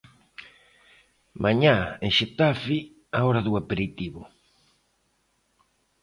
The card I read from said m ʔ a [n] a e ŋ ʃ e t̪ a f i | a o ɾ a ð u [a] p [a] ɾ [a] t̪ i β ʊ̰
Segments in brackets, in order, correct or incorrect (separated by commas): incorrect, correct, incorrect, incorrect